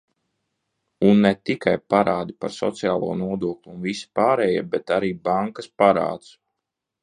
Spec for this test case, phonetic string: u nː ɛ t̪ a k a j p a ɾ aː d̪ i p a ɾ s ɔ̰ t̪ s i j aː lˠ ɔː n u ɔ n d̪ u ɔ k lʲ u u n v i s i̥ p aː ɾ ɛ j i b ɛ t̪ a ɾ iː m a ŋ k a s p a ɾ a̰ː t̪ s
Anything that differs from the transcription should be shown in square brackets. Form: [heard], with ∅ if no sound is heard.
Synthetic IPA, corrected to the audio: u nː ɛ t̪ [i] k a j p a ɾ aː d̪ i p a ɾ s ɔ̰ t̪ s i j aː lˠ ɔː n u ɔ [∅] d̪ u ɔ k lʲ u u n v i s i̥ p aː ɾ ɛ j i b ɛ t̪ a ɾ iː [b] a ŋ k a s p a ɾ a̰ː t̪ s